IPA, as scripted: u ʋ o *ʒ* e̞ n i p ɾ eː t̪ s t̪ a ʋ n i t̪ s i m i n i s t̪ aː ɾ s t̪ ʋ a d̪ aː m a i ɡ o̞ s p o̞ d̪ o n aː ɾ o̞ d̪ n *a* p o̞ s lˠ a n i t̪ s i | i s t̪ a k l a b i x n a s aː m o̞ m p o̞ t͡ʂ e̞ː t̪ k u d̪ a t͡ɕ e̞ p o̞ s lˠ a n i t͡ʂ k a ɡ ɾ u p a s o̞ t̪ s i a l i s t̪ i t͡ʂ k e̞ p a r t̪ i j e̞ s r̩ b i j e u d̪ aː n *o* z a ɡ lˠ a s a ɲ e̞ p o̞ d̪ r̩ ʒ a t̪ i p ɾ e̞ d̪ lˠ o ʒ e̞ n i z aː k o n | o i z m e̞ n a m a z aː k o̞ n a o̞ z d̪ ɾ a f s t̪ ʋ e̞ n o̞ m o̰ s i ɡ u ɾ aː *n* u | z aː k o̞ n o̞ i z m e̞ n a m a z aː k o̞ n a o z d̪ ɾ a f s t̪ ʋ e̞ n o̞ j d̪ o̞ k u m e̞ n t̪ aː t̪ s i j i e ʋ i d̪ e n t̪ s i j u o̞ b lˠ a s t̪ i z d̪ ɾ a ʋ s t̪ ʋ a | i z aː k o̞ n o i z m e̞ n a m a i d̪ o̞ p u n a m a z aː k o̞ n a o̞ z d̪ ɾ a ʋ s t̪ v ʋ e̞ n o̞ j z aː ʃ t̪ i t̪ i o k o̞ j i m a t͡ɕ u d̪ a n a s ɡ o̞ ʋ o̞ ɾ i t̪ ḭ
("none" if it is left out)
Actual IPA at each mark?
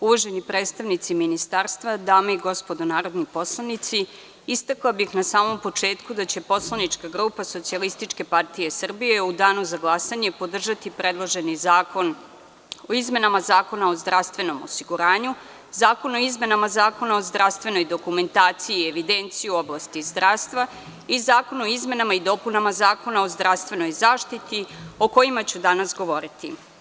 ʒ, i, u, ɲ

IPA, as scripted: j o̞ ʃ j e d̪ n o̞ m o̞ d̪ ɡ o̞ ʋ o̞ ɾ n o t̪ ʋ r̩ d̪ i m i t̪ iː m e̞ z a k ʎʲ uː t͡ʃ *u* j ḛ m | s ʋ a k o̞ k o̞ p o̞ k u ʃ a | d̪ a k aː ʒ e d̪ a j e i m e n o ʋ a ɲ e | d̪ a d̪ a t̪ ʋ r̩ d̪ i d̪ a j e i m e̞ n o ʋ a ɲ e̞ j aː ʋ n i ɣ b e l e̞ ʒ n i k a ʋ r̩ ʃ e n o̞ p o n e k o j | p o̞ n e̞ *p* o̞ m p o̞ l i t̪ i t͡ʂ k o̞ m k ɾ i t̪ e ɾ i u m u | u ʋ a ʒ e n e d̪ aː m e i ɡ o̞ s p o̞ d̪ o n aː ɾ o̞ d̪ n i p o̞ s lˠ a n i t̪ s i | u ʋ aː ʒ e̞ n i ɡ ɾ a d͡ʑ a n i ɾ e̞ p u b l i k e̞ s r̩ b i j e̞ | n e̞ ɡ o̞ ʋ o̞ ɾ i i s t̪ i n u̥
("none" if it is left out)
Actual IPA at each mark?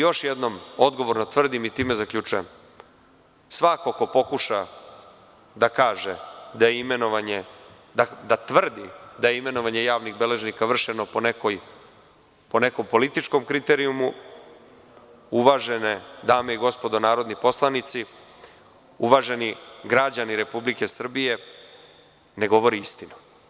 u, k

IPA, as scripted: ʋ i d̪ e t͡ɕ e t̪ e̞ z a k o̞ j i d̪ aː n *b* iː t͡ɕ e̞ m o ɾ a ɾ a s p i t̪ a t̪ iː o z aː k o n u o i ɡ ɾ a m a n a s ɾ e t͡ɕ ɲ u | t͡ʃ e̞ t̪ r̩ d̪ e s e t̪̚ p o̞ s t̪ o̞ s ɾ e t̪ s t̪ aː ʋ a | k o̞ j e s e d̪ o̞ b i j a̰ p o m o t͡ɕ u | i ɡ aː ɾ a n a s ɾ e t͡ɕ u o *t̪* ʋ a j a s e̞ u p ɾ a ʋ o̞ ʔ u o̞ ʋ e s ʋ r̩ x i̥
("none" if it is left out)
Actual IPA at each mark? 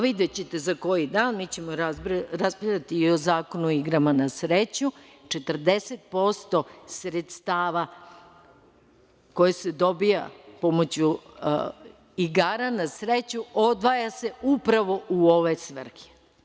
m, d̪

